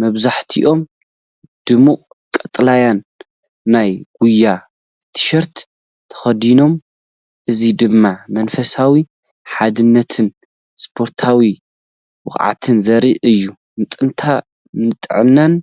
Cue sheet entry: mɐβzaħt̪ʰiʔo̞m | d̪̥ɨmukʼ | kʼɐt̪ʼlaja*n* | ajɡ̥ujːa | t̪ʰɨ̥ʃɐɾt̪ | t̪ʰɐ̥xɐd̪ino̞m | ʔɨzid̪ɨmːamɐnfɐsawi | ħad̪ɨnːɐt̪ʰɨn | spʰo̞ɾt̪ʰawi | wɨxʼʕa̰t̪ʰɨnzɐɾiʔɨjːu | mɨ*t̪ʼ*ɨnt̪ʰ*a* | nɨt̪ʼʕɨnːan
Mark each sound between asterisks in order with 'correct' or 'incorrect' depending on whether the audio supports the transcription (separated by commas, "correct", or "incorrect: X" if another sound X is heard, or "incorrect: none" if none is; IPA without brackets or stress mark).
incorrect: nː, correct, correct